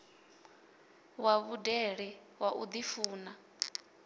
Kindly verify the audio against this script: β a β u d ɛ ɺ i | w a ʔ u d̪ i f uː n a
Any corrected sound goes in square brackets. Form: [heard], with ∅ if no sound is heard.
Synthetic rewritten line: [w] a β u d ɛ ɺ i | w a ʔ u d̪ i f uː n a